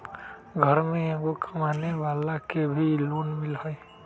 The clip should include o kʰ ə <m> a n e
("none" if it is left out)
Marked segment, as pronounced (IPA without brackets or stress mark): m